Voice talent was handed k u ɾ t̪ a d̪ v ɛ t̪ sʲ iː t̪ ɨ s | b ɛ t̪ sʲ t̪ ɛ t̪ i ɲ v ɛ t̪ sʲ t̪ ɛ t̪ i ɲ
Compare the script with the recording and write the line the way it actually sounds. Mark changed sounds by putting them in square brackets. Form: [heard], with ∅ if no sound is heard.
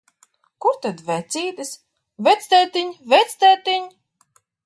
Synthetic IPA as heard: k u ɾ t̪ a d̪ v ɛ t̪ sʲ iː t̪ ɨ s | [v] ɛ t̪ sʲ t̪ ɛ t̪ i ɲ v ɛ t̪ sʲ t̪ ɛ t̪ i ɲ